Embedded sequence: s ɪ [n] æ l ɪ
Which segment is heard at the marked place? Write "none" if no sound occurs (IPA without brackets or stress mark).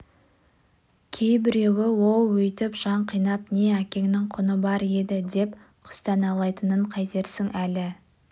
ŋ